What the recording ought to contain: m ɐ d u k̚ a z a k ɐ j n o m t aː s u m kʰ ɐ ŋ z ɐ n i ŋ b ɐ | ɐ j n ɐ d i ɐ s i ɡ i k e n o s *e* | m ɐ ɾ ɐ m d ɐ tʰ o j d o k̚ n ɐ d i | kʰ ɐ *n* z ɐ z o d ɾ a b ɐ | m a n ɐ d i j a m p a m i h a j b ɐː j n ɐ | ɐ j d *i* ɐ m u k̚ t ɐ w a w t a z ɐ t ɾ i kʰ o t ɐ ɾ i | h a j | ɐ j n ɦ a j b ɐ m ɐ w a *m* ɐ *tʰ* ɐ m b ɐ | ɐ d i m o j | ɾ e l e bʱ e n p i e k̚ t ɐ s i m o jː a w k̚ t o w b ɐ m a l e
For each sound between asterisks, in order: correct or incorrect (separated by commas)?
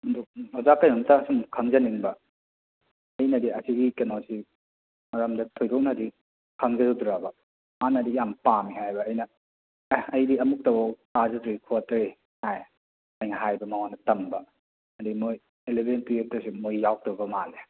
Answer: incorrect, incorrect, correct, incorrect, incorrect